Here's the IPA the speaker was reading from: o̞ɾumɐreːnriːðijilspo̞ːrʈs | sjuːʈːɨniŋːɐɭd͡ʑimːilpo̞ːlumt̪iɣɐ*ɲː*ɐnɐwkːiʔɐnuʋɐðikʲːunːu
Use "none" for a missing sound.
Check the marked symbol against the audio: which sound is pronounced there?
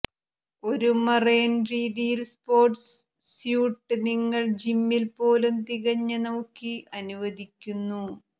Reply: ɲː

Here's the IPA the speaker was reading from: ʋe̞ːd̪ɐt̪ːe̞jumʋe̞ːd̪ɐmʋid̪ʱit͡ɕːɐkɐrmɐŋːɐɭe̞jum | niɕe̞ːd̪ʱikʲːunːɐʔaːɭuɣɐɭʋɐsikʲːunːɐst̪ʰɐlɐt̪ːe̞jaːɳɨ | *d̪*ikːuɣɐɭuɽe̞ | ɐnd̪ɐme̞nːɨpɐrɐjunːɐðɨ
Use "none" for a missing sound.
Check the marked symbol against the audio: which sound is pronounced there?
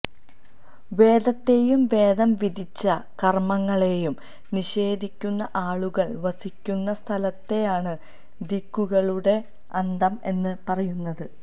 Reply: d̪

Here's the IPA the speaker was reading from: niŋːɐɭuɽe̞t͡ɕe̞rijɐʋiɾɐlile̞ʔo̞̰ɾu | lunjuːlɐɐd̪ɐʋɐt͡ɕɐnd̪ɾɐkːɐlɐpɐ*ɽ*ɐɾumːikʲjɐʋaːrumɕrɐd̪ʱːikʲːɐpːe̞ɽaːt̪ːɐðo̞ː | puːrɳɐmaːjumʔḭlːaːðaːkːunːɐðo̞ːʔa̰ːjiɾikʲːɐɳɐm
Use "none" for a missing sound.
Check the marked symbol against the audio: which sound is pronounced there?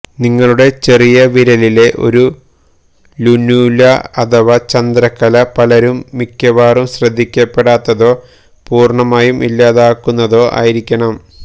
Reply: l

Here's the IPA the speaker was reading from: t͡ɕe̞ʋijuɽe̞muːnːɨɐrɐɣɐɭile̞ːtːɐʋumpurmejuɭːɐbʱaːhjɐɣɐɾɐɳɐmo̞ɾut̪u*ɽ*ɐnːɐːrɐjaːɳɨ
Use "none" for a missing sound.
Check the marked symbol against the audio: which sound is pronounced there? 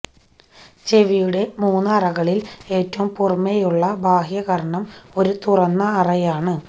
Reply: r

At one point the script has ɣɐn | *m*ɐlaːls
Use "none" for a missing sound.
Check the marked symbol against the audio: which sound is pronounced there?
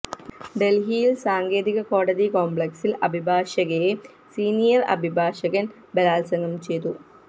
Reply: b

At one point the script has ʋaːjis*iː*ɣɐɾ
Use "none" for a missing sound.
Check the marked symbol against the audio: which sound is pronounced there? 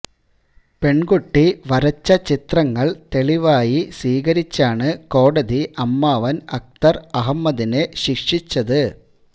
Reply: iː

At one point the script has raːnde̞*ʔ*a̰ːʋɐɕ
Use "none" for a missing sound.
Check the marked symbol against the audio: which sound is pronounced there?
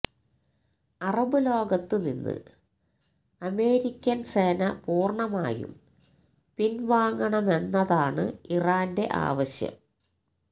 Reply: ʔ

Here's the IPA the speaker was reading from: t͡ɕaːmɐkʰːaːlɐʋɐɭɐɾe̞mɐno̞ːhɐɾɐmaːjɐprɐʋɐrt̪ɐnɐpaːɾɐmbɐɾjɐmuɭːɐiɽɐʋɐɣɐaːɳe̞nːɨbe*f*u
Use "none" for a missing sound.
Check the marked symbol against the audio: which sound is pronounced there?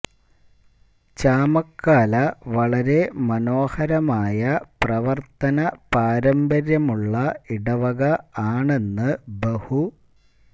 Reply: h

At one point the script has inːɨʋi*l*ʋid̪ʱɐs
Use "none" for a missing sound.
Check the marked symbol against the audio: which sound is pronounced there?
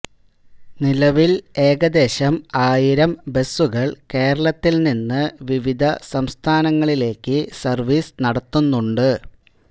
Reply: none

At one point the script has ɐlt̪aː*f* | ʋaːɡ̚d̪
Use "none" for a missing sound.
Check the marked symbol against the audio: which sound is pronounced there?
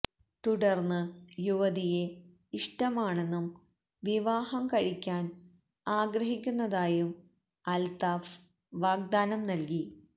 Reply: f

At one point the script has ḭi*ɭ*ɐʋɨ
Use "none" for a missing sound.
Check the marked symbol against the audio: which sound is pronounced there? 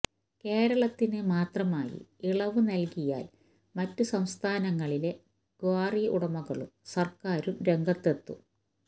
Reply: ɭ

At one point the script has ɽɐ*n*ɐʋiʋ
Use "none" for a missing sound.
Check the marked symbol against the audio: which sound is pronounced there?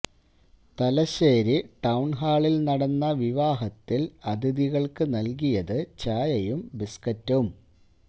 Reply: nː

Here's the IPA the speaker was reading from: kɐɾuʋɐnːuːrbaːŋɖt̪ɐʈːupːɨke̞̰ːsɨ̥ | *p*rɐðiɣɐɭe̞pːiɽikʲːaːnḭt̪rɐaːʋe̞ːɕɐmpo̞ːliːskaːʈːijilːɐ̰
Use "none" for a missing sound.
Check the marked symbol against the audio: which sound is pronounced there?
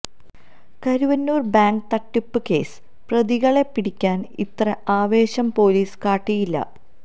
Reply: p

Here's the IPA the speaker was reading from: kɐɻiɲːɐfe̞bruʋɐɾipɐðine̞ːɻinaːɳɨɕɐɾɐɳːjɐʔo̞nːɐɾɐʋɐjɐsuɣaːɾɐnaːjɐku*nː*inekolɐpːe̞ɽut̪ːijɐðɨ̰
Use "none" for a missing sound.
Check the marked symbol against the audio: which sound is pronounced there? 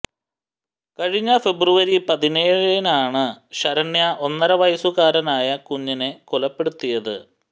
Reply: ɲː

